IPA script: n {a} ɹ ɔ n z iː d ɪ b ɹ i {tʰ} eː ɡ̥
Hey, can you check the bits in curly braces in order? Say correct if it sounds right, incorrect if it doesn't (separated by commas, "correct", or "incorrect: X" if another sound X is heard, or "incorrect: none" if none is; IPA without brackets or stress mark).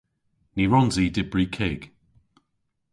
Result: incorrect: i, incorrect: kʰ